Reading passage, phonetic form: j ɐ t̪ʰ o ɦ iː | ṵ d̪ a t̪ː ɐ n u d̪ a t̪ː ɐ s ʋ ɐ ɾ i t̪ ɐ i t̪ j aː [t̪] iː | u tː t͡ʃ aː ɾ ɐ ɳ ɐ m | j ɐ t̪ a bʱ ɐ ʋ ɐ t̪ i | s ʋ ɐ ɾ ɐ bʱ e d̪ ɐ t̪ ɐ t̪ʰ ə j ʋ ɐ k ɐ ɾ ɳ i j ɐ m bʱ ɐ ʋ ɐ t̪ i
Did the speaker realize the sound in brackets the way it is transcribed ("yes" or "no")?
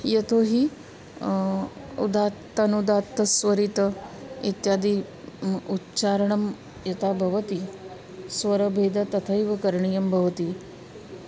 no